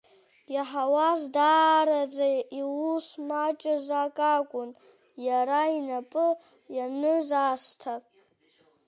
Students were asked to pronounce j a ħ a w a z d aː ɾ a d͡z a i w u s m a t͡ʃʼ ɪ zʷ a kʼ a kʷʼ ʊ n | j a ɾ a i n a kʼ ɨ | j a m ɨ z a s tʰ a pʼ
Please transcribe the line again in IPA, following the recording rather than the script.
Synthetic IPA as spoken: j a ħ a w a z d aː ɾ a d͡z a i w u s m a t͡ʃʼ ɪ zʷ a kʼ a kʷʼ ʊ n | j a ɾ a i n a pʼ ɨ | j a n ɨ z a s tʰ a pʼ

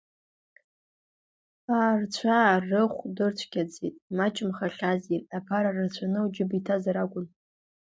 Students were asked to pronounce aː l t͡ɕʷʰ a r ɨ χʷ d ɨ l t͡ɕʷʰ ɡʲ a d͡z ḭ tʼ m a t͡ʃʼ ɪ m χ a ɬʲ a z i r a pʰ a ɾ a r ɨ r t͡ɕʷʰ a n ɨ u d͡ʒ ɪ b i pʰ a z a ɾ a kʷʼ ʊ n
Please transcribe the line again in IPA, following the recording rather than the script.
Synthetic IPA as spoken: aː r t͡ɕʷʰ a r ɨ χʷ d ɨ r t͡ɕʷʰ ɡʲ a d͡z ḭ tʼ m a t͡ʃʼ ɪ m χ a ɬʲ a z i r a pʰ a ɾ a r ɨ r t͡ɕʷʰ a n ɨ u d͡ʒ ɪ b i tʰ a z a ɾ a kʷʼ ʊ n

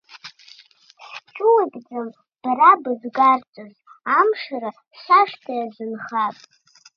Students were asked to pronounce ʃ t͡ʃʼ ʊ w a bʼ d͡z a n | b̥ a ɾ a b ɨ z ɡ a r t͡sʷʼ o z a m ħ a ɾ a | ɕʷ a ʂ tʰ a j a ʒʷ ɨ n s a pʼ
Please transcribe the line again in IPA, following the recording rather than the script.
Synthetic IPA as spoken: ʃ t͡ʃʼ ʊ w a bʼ d͡z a m | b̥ a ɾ a b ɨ z ɡ a r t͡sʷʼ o z a m ʂ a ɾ a | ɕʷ a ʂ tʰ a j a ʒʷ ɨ n χ a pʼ

